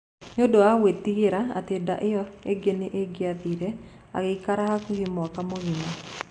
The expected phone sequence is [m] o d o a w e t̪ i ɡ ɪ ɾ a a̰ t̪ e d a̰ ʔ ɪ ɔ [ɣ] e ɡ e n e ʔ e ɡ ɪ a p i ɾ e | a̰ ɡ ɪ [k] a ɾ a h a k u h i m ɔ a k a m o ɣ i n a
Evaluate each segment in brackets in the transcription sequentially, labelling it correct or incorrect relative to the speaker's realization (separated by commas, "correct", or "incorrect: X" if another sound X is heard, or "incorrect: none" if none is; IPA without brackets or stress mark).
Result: incorrect: ɲ, incorrect: none, correct